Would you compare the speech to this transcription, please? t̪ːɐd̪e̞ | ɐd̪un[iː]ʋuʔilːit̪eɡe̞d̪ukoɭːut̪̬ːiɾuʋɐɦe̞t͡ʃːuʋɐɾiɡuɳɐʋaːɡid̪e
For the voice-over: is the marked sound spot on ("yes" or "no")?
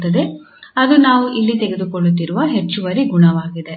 no